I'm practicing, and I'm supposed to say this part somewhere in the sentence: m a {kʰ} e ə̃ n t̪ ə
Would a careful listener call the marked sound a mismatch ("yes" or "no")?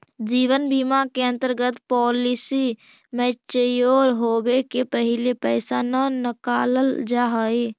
yes